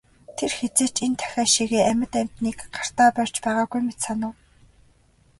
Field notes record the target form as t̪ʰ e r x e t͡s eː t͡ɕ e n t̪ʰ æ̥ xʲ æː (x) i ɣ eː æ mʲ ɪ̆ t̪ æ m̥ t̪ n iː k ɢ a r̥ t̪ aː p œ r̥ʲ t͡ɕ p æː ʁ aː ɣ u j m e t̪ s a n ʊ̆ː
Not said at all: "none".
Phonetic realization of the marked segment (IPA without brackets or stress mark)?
ʃ